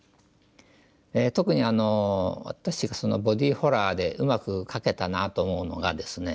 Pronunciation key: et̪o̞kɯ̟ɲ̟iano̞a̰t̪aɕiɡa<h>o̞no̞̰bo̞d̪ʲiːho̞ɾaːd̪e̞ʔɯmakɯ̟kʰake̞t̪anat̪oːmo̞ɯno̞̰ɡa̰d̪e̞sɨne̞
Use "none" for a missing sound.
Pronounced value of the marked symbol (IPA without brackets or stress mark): s